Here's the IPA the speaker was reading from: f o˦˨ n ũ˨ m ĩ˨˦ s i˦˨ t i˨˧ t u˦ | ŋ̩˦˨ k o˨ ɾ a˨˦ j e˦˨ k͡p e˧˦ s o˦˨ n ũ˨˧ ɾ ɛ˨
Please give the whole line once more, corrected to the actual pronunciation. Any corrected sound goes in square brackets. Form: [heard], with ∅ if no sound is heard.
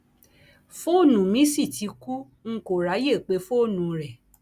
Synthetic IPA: f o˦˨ n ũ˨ m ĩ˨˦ s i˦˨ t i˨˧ [k] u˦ | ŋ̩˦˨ k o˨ ɾ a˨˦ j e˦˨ k͡p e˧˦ [f] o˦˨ n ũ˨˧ ɾ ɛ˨